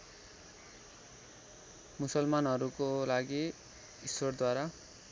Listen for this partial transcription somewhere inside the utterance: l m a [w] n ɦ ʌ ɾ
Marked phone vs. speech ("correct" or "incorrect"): incorrect